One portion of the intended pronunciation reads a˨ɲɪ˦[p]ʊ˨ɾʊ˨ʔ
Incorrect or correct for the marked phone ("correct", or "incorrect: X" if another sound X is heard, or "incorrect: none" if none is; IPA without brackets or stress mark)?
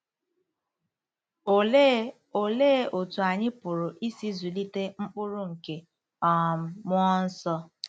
correct